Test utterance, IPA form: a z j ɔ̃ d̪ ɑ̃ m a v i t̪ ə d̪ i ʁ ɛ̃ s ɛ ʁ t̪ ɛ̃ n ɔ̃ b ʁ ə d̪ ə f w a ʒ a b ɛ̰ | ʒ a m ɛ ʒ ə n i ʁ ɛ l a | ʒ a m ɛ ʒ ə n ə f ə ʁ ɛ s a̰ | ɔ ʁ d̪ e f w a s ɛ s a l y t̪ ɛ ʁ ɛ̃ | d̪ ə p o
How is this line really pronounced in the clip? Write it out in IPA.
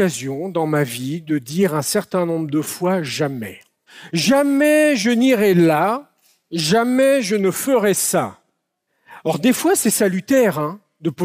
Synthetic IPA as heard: a z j ɔ̃ d̪ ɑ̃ m a v i d̪ ə d̪ i ʁ ɛ̃ s ɛ ʁ t̪ ɛ̃ n ɔ̃ b ʁ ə d̪ ə f w a ʒ a m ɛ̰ | ʒ a m ɛ ʒ ə n i ʁ ɛ l a | ʒ a m ɛ ʒ ə n ə f ə ʁ ɛ s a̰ | ɔ ʁ d̪ e f w a s ɛ s a l y t̪ ɛ ʁ ɛ̃ | d̪ ə p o